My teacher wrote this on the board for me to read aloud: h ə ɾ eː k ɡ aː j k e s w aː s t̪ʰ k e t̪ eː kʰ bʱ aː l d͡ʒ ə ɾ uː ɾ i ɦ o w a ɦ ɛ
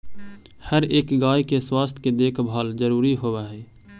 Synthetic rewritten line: h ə ɾ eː k ɡ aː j k e s w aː s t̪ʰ k e d̪ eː kʰ bʱ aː l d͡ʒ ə ɾ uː ɾ i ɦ o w a ɦ ɛː

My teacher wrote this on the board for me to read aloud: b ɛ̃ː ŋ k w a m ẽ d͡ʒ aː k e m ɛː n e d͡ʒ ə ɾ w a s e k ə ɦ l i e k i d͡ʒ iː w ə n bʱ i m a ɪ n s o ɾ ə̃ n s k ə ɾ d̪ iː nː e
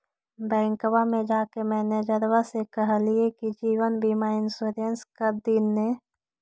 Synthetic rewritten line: b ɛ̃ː ŋ k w a m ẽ d͡ʒ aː k e m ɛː n e d͡ʒ ə ɾ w a s e k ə ɦ l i e k i d͡ʒ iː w ə n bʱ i m a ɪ n s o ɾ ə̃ n s k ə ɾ d̪ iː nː e

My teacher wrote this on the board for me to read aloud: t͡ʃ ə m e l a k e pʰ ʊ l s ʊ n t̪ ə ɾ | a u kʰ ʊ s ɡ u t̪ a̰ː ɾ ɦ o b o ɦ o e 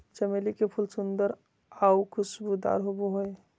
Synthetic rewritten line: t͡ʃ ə m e l i k e pʰ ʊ l s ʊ n d̪ ə ɾ | a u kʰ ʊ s b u d̪ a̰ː ɾ ɦ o b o ɦ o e

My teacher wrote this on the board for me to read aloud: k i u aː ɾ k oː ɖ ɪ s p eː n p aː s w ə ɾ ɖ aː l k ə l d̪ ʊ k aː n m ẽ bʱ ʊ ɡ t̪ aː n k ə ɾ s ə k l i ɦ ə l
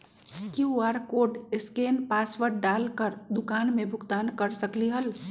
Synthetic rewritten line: k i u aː ɾ k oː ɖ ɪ s k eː n p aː s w ə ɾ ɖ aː l k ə ɾ d̪ ʊ k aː n m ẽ bʱ ʊ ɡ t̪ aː n k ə ɾ s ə k l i ɦ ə l

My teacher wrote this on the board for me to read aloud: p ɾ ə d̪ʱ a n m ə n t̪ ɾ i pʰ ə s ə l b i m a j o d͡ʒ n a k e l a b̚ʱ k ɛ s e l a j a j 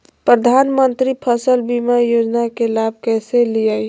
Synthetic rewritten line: p ɾ ə d̪ʱ a n m ə n t̪ ɾ i pʰ ə s ə l b i m a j o d͡ʒ n a k e l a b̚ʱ k ɛ s e l i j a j

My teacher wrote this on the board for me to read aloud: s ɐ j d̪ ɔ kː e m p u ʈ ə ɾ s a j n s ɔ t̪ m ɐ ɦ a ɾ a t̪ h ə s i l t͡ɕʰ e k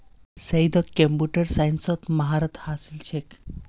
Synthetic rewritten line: s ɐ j d̪ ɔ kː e m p u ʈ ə ɾ s a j n s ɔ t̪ m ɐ ɦ a ɾ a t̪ h a s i l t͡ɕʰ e k

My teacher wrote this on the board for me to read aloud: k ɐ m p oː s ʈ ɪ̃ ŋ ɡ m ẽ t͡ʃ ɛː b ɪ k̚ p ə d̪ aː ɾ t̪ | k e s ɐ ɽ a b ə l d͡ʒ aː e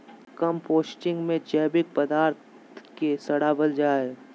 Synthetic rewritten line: k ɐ m p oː s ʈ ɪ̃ ŋ ɡ m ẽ t͡ʃ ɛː b ɪ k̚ p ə d̪ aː ɾ t̪ | k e s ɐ ɽ a b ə l d͡ʒ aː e

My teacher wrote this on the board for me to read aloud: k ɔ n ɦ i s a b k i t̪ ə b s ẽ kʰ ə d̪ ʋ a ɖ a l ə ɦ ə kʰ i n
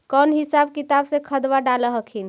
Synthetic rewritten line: k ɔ n ɦ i s a b k i t̪ a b s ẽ kʰ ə d̪ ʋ a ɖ a l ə ɦ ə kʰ i n

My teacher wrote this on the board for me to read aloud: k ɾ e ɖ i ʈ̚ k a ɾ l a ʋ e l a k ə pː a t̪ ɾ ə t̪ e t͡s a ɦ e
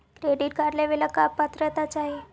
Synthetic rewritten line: k ɾ e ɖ i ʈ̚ k a ɾ l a ʋ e l a k a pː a t̪ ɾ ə t̪ a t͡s a ɦ e

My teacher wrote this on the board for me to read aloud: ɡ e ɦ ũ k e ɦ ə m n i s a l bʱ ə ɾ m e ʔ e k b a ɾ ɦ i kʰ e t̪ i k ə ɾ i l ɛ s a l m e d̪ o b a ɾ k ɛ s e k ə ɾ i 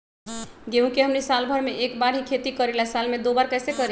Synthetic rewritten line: ɡ e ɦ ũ k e ɦ ə m n i s a l bʱ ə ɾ m e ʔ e k b a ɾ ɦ i kʰ e t̪ i k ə ɾ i l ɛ s a l m e d̪ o b a ɾ k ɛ s e k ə ɾ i

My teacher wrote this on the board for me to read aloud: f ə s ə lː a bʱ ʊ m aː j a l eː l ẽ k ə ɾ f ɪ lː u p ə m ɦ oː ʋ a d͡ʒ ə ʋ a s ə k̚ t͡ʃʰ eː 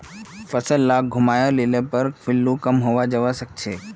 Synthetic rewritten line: f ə s ə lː a ɡʱ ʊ m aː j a l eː l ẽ p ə ɾ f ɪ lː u k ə m ɦ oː ʋ a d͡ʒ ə ʋ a s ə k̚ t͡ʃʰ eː

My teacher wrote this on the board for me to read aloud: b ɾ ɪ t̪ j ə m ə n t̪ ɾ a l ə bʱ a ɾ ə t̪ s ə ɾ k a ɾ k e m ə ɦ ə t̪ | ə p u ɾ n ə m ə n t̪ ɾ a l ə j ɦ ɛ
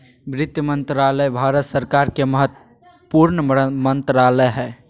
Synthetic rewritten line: b ɾ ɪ t̪ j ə m ə n t̪ ɾ a l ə bʱ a ɾ ə t̪ s ə ɾ k a ɾ k e m ə ɦ ə t̪ | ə p u ɾ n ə m ə n t̪ ɾ a l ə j ɦ ɛ

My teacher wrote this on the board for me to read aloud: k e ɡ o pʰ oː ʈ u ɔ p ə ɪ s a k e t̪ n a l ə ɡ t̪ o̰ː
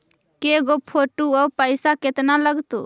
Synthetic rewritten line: k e ɡ o pʰ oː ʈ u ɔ p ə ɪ s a k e t̪ n a l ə ɡ t̪ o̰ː

